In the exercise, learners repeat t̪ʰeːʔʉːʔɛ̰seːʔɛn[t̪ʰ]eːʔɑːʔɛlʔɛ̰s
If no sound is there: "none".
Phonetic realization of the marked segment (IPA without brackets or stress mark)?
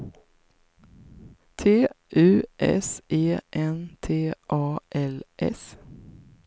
t̪ʰ